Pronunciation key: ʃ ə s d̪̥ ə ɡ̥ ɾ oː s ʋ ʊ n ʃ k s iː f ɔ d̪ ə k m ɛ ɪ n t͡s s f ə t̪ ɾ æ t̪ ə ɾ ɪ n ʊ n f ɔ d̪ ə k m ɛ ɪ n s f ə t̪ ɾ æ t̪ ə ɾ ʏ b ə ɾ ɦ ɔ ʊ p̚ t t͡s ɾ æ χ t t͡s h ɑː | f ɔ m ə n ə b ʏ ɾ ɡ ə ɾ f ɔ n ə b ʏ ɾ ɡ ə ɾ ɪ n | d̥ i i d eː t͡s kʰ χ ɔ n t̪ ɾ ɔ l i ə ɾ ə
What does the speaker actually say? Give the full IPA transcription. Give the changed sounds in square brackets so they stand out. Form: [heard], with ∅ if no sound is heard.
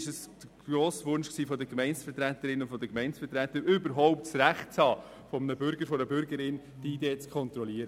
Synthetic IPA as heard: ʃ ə s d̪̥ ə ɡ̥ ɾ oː s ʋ ʊ n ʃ k s iː f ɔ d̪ ə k m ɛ ɪ n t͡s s f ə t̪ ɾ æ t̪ ə ɾ ɪ n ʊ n f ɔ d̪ ə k m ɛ ɪ n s f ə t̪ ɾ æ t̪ ə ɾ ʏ b ə ɾ ɦ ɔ ʊ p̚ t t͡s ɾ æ χ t t͡s h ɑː | f ɔ m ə n ə b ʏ ɾ ɡ ə ɾ f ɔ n ə b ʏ ɾ ɡ ə ɾ ɪ n | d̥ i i d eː t͡s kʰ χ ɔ n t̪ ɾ ɔ l i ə ɾ ə